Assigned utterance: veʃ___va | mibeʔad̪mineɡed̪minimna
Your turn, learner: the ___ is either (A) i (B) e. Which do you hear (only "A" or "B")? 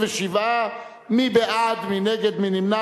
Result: A